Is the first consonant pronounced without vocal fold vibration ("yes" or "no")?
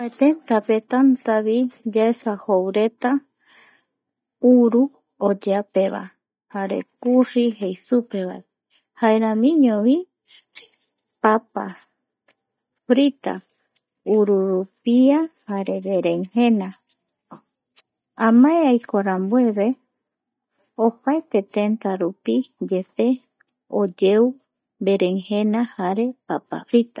yes